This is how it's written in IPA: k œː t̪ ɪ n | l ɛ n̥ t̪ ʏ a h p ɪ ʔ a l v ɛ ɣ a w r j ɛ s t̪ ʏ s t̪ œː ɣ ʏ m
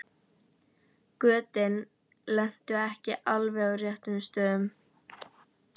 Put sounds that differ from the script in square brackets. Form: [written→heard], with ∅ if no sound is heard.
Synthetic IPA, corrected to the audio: k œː t̪ ɪ n | l ɛ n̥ t̪ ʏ [a→ɛ] h [p→c] ɪ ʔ a l v ɛ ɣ a w r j ɛ [s→h] t̪ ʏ s t̪ œː [ɣ→ð] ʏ m